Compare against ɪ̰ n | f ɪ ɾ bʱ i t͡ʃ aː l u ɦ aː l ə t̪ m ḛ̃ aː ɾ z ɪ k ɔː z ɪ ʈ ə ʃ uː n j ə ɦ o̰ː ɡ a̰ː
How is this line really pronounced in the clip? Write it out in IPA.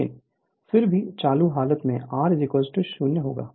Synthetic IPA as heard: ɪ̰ n | f ɪ ɾ bʱ i t͡ʃ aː l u ɦ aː l ə t̪ m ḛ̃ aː ɾ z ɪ k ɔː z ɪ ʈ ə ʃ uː n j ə ɦ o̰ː ɡ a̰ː